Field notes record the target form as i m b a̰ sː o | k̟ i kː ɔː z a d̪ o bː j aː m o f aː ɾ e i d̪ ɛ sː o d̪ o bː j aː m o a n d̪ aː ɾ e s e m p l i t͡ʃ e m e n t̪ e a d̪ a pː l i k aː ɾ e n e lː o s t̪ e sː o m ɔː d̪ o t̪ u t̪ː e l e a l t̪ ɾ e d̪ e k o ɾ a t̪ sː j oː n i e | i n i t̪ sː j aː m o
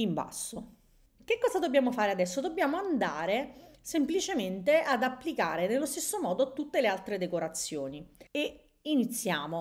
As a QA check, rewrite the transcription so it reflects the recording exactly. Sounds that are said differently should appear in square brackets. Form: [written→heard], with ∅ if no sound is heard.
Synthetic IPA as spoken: i m b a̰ sː o | k̟ [i→e] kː ɔː z a d̪ o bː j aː m o f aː ɾ e [i→a] d̪ ɛ sː o d̪ o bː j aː m o a n d̪ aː ɾ e s e m p l i t͡ʃ e m e n t̪ e a d̪ a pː l i k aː ɾ e n e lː o s t̪ e sː o m ɔː d̪ o t̪ u t̪ː e l e a l t̪ ɾ e d̪ e k o ɾ a t̪ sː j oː n i e | i n i t̪ sː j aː m o